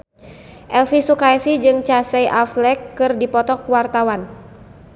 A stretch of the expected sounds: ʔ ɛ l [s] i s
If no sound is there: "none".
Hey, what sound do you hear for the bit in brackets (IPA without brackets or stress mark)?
f